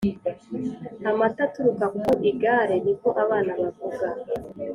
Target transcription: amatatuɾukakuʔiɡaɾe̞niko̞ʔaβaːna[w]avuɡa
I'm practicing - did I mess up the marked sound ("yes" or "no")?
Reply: yes